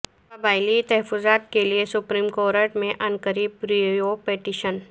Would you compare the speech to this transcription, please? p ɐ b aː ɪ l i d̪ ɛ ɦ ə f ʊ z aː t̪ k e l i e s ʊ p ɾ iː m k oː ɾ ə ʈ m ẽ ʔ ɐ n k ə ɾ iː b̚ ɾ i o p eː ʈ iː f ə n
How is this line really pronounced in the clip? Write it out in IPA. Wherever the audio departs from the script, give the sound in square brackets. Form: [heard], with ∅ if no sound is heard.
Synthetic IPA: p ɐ b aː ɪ l i [t̪] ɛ ɦ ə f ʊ z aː t̪ k e l i e s ʊ p ɾ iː m k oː ɾ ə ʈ m ẽ ʔ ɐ n k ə ɾ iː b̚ ɾ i o p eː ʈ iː [ʃ] ə n